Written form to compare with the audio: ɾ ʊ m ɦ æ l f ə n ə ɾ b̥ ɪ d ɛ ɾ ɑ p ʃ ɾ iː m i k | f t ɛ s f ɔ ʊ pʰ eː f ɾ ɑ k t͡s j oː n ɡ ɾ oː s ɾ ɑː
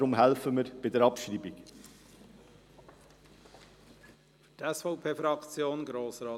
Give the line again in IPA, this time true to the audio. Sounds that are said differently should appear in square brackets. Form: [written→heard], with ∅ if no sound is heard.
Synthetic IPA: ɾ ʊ m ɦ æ l f ə [n→m] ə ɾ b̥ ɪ d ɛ ɾ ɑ p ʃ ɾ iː [m→b] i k | f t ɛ s f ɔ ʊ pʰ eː f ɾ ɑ k t͡s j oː n ɡ ɾ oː s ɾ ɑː